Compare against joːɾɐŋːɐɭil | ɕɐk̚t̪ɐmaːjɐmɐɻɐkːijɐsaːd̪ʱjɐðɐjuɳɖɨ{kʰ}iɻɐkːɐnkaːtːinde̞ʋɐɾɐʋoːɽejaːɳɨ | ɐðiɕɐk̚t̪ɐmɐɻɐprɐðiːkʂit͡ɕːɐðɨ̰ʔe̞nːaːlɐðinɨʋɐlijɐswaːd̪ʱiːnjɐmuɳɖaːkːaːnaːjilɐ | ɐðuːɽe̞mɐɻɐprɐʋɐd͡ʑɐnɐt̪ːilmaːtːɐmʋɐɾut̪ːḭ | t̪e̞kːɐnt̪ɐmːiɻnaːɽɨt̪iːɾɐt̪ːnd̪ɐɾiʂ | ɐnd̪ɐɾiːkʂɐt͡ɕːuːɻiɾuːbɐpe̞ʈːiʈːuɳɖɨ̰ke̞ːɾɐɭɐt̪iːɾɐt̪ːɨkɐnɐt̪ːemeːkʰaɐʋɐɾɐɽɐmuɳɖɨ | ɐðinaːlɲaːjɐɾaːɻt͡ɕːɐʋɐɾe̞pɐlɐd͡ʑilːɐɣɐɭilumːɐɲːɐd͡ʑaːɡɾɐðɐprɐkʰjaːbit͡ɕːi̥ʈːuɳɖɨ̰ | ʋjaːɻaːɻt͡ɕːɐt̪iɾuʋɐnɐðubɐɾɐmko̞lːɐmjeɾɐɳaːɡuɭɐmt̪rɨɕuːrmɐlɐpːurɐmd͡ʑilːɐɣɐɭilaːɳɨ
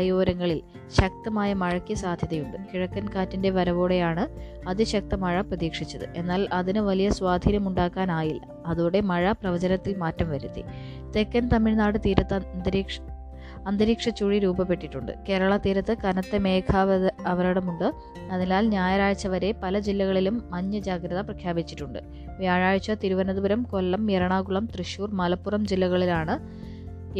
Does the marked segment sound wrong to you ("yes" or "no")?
yes